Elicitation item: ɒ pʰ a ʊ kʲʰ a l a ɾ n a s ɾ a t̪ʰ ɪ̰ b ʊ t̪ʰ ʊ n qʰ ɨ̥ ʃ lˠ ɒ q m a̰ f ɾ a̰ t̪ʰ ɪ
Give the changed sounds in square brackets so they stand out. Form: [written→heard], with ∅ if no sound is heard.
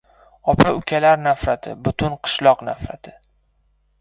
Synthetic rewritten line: ɒ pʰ a ʊ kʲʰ a l a ɾ n a [s→f] ɾ a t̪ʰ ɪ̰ b ʊ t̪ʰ ʊ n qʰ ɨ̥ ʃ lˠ ɒ q [m→n] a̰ f ɾ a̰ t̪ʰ ɪ